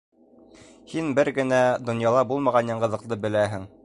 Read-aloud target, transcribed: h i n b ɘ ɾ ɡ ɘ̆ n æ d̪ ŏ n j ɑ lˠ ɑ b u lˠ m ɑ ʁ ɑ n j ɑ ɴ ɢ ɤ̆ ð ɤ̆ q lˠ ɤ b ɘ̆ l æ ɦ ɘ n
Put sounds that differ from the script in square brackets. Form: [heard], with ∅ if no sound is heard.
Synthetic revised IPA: h i n b ɘ ɾ ɡ ɘ̆ n æ d̪ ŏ n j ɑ lˠ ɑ b u lˠ m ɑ ʁ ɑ n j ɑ ɴ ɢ ɤ̆ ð ɤ̆ q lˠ ɤ b ɘ̆ l æ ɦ ɘ [ŋ]